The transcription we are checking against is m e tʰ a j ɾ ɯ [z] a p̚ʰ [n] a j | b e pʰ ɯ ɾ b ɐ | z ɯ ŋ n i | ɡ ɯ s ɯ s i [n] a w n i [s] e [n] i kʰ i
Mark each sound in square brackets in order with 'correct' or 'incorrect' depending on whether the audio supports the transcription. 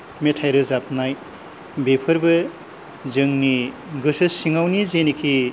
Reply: correct, correct, incorrect: ŋ, incorrect: z, correct

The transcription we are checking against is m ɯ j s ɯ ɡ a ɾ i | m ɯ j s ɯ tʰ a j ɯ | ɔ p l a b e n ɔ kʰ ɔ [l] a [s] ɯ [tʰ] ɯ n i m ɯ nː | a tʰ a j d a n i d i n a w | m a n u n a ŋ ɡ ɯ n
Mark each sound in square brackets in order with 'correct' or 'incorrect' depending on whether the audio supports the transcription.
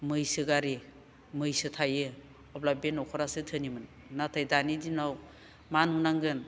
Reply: incorrect: ɾ, correct, correct

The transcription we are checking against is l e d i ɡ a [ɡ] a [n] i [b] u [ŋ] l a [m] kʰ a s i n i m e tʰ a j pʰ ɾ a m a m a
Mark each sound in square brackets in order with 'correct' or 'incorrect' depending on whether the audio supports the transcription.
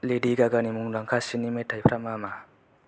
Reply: correct, correct, incorrect: m, correct, incorrect: ŋ

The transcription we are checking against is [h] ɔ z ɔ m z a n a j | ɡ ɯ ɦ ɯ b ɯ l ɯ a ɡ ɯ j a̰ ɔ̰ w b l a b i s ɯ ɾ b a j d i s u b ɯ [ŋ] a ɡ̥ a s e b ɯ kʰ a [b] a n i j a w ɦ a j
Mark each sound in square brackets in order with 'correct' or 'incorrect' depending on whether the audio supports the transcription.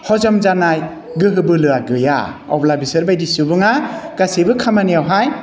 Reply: correct, correct, incorrect: m

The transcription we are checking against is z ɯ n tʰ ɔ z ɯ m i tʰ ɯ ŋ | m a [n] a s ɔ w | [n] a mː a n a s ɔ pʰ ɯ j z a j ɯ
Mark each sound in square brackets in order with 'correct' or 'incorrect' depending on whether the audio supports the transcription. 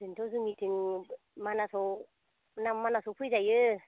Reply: correct, correct

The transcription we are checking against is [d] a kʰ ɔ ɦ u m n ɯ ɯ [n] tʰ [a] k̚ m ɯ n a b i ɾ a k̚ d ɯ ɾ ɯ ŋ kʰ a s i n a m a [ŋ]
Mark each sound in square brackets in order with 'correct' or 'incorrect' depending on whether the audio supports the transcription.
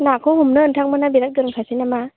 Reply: incorrect: n, correct, correct, incorrect: none

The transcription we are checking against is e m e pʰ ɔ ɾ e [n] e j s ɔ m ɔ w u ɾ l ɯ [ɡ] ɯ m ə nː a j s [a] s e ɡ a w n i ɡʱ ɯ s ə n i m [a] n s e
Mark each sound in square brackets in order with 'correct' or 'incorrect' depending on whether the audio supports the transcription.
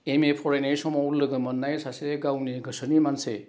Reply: correct, correct, correct, correct

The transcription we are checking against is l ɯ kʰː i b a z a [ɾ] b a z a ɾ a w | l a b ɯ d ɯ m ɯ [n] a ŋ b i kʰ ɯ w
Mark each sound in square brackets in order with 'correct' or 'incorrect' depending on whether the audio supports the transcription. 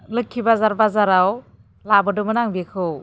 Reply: correct, correct

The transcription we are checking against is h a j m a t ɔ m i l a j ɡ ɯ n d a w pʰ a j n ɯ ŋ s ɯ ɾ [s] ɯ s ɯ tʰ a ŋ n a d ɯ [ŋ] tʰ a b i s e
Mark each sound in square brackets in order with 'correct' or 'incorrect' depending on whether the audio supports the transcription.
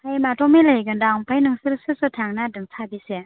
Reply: correct, correct

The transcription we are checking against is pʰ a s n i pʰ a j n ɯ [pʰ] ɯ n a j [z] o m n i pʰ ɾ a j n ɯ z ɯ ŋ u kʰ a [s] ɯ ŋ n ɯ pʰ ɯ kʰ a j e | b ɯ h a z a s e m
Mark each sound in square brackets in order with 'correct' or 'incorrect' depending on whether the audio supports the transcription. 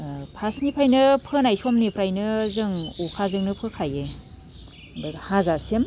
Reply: correct, incorrect: s, incorrect: z

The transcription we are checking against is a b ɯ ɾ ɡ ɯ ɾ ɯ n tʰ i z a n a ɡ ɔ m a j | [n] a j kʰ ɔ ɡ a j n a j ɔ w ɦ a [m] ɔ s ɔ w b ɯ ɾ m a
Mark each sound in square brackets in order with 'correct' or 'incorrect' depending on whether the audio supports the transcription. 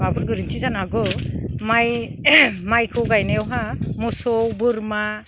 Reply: incorrect: m, correct

